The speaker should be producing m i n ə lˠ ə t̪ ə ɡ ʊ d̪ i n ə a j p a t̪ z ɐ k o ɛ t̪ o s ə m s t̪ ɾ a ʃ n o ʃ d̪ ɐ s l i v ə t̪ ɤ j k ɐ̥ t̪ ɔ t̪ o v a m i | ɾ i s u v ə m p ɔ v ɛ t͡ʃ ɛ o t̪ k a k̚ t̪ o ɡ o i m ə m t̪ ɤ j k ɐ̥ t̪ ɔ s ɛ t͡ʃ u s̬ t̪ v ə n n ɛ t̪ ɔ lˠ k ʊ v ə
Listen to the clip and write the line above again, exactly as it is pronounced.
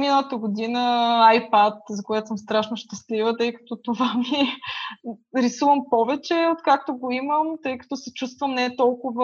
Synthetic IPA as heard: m i n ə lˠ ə t̪ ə ɡ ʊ d̪ i n ə a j p a t̪ z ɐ k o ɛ t̪ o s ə m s t̪ ɾ a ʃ n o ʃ t̪ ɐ s l i v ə t̪ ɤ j k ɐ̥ t̪ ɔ t̪ o v a m i | ɾ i s u v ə m p ɔ v ɛ t͡ʃ ɛ o t̪ k a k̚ t̪ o ɡ o i m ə m t̪ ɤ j k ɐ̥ t̪ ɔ s ɛ t͡ʃ u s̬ t̪ v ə m n ɛ t̪ ɔ lˠ k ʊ v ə